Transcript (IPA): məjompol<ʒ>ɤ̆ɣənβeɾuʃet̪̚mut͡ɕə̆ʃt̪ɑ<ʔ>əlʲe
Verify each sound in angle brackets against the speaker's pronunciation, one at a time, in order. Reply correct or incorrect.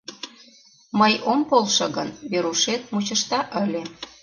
incorrect: ʃ, correct

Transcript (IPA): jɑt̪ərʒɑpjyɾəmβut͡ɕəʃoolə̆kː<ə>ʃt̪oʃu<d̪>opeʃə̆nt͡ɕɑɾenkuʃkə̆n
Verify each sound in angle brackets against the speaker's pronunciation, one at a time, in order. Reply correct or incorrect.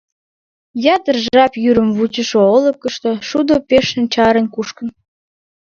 correct, correct

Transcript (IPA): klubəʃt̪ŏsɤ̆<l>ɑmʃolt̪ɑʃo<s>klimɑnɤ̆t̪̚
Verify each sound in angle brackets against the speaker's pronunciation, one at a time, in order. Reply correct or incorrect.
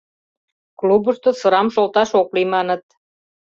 incorrect: ɾ, incorrect: none

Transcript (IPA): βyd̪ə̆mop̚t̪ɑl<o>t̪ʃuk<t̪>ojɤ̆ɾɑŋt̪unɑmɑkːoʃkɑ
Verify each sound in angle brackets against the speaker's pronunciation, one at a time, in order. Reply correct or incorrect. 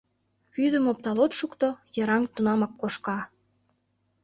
correct, correct

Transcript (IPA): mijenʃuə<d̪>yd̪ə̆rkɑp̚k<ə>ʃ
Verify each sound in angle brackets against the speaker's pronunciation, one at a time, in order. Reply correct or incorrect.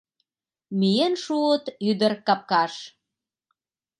incorrect: t̪, incorrect: ɑ

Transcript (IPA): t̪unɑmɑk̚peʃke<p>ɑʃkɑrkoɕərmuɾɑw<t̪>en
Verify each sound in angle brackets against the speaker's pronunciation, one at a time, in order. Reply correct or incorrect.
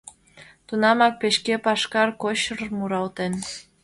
correct, correct

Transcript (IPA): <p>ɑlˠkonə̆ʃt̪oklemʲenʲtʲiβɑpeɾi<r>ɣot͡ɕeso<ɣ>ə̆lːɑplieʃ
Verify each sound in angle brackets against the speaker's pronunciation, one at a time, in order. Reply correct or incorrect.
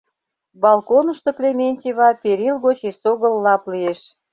incorrect: b, incorrect: l, correct

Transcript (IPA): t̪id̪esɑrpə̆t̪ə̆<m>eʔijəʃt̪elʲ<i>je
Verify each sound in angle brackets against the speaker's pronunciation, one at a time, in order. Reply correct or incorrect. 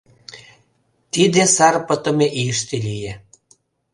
correct, correct

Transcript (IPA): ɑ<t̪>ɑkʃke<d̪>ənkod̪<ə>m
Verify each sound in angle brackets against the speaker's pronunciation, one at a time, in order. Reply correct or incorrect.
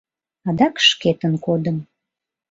incorrect: d̪, incorrect: t̪, correct

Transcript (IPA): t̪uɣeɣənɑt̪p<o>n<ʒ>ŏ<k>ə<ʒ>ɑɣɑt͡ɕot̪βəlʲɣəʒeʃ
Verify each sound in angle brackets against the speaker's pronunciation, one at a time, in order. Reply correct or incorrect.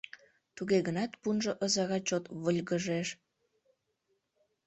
incorrect: u, correct, incorrect: ʔ, incorrect: z

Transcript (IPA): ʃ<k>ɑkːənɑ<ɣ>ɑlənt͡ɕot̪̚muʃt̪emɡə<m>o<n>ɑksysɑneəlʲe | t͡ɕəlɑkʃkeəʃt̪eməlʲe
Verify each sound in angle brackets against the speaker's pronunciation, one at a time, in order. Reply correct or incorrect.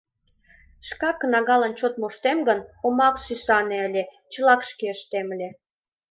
correct, correct, incorrect: n, incorrect: m

